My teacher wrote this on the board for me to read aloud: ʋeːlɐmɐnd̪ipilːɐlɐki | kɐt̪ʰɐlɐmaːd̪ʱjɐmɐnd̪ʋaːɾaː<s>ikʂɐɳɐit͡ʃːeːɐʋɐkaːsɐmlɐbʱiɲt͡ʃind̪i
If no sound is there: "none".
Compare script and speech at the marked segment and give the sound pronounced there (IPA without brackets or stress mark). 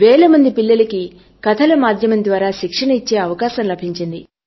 ʃ